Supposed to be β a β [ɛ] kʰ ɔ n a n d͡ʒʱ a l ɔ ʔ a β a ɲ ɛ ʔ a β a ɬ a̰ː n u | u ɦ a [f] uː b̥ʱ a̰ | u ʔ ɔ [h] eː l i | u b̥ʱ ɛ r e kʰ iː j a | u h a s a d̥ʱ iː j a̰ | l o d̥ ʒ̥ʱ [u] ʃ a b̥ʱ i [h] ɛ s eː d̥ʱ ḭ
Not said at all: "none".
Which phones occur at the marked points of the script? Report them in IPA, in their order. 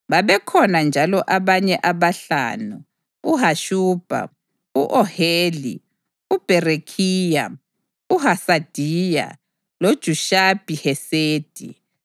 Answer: ɛ, ʃ, h, u, h

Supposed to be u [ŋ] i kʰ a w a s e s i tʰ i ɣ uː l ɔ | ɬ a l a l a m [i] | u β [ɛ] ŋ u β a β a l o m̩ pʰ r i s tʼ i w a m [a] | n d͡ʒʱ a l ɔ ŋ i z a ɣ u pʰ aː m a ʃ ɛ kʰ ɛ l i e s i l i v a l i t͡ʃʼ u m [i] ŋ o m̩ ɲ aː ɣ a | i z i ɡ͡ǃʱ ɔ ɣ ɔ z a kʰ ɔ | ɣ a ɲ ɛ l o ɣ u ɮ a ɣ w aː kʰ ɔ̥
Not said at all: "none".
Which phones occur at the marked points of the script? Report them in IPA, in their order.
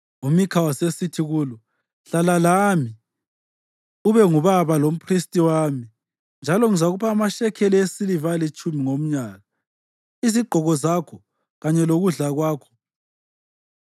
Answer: m, i, ɛ, i, i

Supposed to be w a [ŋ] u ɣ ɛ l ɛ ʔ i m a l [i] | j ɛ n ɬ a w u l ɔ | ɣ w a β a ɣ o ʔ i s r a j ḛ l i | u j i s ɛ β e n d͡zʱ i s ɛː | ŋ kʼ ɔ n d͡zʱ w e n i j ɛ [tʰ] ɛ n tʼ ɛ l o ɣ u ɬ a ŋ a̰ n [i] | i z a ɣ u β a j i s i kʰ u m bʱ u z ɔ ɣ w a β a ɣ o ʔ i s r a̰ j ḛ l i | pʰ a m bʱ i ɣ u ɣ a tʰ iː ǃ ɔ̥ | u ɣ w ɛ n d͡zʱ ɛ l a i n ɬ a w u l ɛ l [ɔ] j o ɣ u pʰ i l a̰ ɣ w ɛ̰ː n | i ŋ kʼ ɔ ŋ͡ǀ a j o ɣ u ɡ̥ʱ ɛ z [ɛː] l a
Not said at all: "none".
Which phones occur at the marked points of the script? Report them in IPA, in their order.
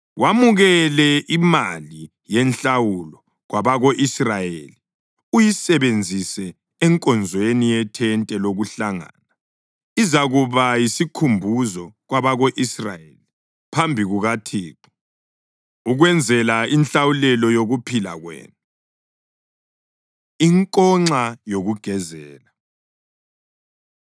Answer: m, i, tʰ, a, ɔ, ɛː

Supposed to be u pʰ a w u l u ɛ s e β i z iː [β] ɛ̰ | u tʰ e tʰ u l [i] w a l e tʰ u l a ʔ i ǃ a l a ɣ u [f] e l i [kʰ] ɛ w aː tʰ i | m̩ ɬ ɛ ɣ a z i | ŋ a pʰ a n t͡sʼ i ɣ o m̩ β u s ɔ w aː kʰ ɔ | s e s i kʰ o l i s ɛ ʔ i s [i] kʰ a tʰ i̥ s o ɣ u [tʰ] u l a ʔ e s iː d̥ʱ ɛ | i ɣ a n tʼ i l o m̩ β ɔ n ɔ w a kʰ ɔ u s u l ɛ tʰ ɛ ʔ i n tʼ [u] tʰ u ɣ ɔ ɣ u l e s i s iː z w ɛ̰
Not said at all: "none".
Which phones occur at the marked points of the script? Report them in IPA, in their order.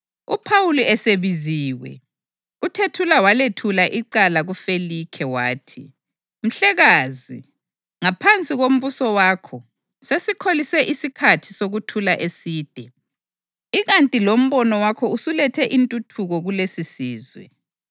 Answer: w, a, f, kʰ, i, tʰ, u

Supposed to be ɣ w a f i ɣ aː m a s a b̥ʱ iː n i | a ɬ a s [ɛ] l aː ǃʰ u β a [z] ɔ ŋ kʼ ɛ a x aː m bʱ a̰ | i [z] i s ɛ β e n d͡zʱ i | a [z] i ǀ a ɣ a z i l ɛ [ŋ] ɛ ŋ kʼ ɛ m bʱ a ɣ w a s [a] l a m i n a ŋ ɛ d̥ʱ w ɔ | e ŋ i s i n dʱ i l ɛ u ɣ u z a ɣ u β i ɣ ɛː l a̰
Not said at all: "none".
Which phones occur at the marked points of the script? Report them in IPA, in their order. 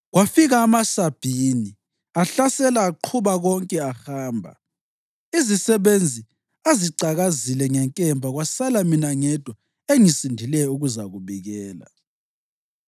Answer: ɛ, ɣ, z, z, ŋ, a

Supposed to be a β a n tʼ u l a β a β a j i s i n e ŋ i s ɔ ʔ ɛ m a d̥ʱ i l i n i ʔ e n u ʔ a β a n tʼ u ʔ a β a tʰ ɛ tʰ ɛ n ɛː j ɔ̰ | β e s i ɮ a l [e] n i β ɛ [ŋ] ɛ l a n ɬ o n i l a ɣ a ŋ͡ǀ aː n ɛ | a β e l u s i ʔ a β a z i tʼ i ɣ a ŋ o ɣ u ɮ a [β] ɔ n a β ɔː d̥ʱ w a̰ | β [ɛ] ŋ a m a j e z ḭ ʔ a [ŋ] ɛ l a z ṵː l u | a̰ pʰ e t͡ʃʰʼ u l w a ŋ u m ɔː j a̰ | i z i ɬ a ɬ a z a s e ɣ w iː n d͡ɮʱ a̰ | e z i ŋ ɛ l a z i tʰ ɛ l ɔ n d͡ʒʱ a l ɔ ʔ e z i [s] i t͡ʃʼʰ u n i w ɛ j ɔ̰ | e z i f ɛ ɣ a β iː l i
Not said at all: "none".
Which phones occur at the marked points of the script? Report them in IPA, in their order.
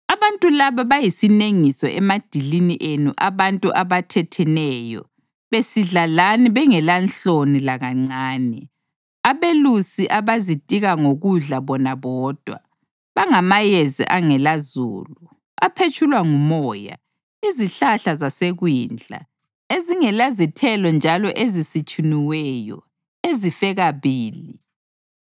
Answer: a, ŋ, β, a, ŋ, s

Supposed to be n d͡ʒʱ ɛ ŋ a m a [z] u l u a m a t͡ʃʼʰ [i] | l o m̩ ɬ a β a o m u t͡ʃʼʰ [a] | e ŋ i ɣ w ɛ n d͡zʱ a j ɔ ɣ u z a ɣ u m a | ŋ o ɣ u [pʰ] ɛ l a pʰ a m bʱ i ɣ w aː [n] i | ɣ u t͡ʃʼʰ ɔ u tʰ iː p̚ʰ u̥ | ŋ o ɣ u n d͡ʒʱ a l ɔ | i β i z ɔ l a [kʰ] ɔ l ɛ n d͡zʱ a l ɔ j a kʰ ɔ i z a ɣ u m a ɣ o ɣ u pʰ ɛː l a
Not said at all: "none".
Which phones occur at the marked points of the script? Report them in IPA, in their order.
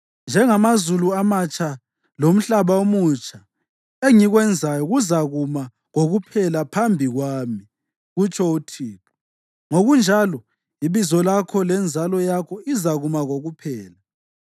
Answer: z, a, a, pʰ, m, kʰ

